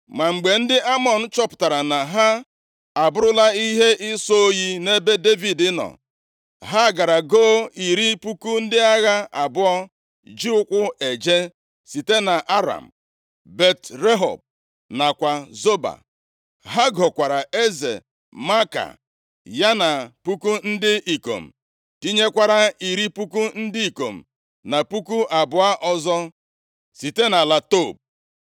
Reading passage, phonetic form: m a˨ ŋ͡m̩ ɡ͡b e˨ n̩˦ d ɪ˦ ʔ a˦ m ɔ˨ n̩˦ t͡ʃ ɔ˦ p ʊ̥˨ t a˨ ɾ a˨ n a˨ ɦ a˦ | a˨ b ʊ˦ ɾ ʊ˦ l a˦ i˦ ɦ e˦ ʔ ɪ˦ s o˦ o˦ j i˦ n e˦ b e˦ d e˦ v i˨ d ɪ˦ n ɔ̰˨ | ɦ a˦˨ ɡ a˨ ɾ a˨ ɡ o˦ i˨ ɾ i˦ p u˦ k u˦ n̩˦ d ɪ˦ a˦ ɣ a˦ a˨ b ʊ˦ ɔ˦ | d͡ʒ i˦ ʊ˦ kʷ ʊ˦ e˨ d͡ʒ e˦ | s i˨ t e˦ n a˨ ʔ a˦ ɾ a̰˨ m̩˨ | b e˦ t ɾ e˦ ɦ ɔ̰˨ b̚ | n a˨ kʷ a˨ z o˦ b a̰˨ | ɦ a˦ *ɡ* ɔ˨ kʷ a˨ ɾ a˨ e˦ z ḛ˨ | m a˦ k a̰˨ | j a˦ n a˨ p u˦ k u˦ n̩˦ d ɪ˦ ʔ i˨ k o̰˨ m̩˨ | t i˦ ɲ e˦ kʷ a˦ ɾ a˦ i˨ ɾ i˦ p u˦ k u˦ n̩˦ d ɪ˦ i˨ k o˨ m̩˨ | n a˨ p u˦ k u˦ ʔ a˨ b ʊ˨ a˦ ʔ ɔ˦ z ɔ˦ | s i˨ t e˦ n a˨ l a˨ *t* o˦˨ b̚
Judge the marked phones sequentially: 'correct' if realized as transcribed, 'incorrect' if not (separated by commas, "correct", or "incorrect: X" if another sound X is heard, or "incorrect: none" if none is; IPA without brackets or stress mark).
correct, correct